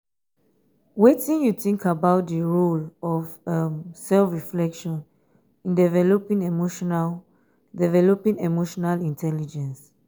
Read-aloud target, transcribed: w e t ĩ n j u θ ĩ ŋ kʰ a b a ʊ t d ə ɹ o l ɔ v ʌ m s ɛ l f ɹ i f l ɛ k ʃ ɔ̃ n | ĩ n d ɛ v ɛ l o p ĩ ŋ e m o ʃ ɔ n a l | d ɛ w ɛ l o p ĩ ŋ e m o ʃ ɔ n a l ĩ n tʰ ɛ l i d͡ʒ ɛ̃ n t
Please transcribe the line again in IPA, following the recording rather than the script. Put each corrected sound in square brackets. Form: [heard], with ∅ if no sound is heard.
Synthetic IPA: w e t ĩ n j u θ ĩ ŋ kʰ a b a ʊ t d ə ɹ o l ɔ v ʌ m s ɛ l f ɹ i f l ɛ k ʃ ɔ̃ n | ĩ n d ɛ v ɛ l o p ĩ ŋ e m o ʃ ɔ n a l | d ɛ [v] ɛ l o p ĩ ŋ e m o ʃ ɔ n a l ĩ n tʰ ɛ l i d͡ʒ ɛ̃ n [s]